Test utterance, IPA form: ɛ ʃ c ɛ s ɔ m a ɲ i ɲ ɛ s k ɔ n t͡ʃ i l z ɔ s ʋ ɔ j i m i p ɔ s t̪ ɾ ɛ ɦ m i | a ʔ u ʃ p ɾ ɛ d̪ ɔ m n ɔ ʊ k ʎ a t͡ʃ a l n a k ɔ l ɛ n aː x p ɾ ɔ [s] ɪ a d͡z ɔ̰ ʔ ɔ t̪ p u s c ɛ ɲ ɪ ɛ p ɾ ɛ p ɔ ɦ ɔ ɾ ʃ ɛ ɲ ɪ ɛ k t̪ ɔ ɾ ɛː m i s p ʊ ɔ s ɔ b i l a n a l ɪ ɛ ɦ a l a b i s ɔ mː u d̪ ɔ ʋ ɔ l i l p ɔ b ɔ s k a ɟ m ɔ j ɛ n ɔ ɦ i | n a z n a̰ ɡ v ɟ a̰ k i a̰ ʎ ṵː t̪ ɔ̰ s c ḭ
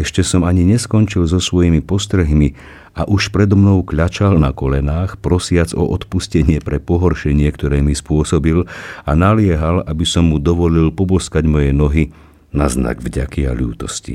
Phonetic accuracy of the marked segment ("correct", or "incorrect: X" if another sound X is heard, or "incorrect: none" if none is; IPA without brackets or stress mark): correct